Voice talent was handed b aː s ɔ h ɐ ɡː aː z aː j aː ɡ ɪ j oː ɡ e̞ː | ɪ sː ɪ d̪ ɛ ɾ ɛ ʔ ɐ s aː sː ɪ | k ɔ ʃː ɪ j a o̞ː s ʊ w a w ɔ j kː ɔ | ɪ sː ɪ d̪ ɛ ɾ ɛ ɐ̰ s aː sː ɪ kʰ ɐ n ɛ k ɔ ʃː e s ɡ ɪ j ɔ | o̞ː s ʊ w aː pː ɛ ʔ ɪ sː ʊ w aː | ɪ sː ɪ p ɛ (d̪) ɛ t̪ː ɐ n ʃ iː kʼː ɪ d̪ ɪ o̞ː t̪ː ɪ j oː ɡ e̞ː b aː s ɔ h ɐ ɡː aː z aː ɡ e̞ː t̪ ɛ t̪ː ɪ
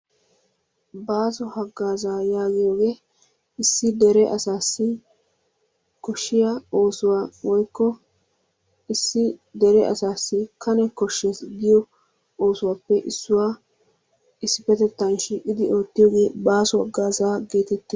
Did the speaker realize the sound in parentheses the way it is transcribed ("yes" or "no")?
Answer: no